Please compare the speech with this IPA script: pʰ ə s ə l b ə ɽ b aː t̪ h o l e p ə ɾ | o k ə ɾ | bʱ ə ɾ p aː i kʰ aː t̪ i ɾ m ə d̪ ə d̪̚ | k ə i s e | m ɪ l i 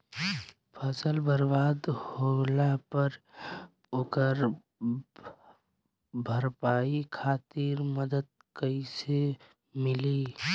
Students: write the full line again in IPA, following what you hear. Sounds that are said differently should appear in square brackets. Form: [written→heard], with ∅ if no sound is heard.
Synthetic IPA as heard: pʰ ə s ə l b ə [ɽ→ɾ] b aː [t̪→d̪] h o l [e→a] p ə ɾ | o k ə ɾ | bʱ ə ɾ p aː i kʰ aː t̪ i ɾ m ə d̪ ə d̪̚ | k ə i s e | m ɪ l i